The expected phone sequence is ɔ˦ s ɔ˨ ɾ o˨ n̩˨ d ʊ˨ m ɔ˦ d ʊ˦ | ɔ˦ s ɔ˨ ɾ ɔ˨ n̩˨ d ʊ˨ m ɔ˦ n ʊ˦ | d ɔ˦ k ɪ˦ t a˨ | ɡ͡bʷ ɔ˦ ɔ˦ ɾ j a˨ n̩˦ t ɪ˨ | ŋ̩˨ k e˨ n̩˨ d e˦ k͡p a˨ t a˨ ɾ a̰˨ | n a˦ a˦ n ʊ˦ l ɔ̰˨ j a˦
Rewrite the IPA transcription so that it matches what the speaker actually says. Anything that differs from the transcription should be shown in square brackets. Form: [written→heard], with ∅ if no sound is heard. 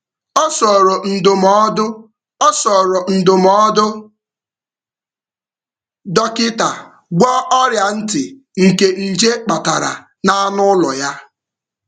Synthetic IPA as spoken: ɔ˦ s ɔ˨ ɾ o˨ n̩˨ d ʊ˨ m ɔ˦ d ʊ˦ | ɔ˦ s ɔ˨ ɾ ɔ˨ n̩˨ d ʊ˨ m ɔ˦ [n→d] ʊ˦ | d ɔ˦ k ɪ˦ t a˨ | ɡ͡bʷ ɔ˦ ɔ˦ ɾ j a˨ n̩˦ t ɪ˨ | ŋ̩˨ k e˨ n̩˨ [d→d͡ʒ] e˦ k͡p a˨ t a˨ ɾ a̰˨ | n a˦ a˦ n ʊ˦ l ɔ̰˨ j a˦